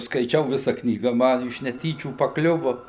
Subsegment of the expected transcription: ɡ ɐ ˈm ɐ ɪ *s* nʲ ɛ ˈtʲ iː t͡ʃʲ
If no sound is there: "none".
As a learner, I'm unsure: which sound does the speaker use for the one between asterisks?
ʃ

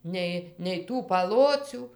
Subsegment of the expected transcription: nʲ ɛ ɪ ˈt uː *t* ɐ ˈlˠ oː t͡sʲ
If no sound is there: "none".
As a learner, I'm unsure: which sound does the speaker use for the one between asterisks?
p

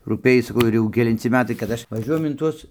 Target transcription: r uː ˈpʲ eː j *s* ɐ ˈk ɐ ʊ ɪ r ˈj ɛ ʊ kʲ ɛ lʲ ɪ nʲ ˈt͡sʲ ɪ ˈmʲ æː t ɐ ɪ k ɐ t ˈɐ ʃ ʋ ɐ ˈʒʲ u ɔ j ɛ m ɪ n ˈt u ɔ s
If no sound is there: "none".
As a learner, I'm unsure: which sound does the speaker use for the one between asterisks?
s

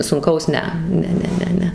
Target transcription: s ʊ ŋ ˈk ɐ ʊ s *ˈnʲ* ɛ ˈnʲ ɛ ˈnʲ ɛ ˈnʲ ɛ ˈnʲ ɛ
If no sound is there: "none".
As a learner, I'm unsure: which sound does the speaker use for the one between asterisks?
nʲ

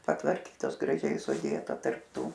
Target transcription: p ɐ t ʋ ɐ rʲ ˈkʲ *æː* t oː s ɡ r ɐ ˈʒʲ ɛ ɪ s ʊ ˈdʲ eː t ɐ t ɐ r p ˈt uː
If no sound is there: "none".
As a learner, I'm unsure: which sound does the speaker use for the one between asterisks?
iː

